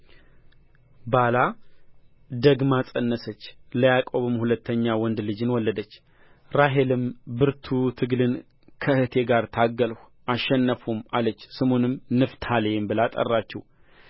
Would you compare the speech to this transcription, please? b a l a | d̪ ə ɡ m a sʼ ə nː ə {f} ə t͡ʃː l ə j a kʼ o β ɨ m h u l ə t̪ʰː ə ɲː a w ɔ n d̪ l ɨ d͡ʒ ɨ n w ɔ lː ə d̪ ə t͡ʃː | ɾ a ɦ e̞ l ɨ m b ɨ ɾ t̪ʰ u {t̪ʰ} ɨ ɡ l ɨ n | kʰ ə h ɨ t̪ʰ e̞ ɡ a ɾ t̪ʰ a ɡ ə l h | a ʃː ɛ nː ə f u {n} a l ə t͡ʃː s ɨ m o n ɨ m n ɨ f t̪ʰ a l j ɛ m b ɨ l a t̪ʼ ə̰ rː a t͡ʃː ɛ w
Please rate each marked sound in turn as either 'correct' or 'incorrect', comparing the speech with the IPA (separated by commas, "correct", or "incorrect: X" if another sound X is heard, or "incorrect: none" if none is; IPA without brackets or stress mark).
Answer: incorrect: s, correct, incorrect: m